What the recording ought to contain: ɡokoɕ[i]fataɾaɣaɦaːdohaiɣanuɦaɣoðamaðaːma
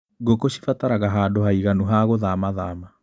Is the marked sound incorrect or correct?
correct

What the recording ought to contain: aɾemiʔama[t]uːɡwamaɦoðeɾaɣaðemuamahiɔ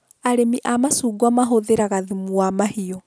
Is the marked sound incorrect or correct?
incorrect: s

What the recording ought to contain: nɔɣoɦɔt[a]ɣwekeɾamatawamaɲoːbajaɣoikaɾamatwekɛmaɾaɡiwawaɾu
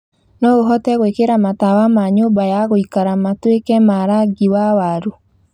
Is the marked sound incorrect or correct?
incorrect: ɛ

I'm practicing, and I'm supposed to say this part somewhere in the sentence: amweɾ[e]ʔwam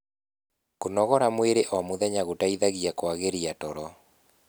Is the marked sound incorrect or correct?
correct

